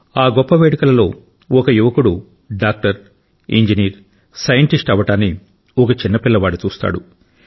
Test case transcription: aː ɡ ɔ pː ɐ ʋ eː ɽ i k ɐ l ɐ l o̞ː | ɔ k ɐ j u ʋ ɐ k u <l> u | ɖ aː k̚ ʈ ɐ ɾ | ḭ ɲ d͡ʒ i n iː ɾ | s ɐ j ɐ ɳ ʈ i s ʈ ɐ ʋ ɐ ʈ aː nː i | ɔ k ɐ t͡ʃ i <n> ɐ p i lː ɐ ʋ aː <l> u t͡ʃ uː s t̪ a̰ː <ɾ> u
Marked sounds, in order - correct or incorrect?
incorrect, incorrect, incorrect, incorrect

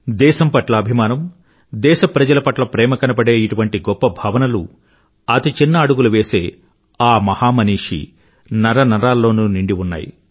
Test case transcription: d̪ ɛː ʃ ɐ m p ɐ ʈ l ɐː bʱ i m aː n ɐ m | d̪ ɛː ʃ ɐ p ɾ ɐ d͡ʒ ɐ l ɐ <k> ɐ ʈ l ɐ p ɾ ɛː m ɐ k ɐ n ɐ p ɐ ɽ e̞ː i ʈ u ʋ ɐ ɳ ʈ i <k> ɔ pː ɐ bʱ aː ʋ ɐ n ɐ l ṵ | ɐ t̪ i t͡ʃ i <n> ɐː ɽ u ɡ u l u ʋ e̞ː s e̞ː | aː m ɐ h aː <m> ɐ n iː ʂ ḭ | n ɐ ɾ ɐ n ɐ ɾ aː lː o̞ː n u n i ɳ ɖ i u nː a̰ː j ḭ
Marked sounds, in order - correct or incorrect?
incorrect, incorrect, incorrect, correct

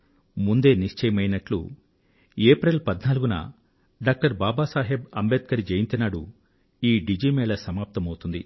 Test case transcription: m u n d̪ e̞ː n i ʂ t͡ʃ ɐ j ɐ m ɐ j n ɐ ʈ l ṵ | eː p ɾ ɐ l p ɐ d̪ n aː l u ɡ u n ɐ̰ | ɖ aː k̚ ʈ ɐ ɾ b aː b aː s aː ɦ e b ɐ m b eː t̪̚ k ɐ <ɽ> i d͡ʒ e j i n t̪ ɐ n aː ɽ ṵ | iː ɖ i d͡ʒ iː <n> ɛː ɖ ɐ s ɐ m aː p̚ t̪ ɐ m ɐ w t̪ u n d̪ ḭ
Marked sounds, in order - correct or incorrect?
incorrect, incorrect

